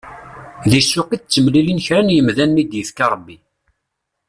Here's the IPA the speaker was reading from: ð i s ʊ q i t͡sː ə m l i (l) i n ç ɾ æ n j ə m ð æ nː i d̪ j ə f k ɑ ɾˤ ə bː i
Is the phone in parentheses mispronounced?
no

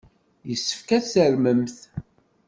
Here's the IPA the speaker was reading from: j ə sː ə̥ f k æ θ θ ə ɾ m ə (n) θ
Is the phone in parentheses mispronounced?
yes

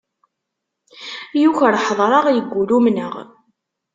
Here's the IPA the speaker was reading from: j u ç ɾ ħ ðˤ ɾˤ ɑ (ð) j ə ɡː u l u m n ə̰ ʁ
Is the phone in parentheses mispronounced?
yes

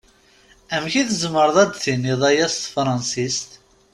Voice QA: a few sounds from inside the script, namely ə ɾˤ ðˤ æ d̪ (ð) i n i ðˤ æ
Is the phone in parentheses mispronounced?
yes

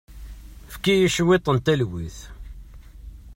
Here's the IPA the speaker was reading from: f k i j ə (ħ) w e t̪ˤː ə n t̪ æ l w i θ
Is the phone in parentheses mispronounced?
yes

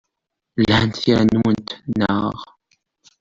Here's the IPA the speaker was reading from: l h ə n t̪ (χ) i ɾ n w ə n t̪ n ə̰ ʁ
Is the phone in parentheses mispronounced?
yes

